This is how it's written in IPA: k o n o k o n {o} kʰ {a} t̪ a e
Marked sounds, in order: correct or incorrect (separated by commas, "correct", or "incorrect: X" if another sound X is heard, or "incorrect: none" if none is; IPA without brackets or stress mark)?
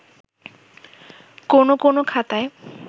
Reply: correct, correct